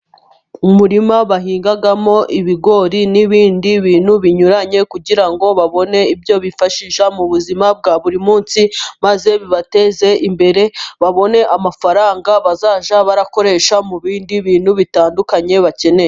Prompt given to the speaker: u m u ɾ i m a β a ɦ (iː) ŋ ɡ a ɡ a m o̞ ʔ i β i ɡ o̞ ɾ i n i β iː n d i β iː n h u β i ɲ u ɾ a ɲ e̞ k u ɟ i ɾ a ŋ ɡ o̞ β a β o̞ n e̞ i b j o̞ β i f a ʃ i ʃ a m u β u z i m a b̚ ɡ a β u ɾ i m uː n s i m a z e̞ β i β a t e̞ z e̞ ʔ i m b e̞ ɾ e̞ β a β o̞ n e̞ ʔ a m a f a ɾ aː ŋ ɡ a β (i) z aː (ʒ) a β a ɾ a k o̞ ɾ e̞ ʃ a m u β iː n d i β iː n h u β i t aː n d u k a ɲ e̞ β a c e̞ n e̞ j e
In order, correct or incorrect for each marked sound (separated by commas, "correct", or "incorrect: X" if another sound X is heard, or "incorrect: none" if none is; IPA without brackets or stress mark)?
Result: correct, incorrect: a, correct